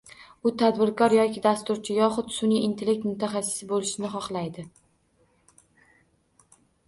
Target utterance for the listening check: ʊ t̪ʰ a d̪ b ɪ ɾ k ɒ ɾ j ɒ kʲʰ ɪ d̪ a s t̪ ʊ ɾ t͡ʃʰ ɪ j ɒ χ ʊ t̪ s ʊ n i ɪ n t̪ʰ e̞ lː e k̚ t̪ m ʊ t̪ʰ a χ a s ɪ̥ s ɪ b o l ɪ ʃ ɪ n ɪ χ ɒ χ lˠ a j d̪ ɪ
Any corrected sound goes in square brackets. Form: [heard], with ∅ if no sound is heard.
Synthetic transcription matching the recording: ʊ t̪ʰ a d̪ b ɪ ɾ k ɒ ɾ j ɒ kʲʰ ɪ d̪ a s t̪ ʊ ɾ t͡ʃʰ ɪ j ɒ χ ʊ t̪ s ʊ n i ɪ n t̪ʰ e̞ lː e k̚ t̪ m ʊ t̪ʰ a χ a s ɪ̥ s ɪ b o l ɪ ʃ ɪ n ɪ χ ɒ χ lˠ a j d̪ ɪ